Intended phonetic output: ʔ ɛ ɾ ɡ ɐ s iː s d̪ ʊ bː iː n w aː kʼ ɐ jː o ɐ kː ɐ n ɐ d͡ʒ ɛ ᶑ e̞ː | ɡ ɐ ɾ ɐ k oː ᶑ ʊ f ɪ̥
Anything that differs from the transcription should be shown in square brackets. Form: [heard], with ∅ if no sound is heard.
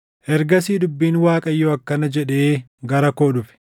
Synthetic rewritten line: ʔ ɛ ɾ ɡ ɐ s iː [∅] d̪ ʊ bː iː n w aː kʼ ɐ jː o ɐ kː ɐ n ɐ d͡ʒ ɛ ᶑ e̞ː | ɡ ɐ ɾ ɐ k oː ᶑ ʊ f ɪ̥